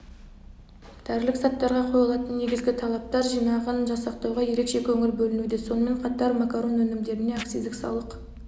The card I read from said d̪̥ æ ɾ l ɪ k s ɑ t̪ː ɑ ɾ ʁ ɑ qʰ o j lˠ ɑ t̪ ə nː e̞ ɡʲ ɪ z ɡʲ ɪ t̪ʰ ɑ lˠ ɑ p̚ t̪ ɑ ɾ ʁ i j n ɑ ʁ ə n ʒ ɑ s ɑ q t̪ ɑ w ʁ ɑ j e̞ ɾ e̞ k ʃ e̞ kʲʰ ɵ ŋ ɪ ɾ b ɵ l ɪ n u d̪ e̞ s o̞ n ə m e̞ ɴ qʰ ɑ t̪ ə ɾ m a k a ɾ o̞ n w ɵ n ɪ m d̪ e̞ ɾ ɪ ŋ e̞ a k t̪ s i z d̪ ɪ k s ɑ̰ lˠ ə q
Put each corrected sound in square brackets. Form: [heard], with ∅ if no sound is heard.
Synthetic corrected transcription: d̪̥ æ ɾ l ɪ k s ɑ t̪ː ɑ ɾ ʁ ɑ qʰ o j lˠ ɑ t̪ ə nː e̞ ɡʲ ɪ z ɡʲ ɪ t̪ʰ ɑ lˠ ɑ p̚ t̪ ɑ ɾ [ʒ] i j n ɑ ʁ ə n ʒ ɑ s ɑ q t̪ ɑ w ʁ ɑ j e̞ ɾ e̞ k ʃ e̞ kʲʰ ɵ ŋ ɪ ɾ b ɵ l ɪ n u d̪ e̞ s o̞ n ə m e̞ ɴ qʰ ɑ t̪ [ɑ] ɾ m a k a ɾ o̞ n w ɵ n ɪ m d̪ e̞ ɾ ɪ [n] e̞ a k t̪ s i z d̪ ɪ k s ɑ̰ lˠ ə q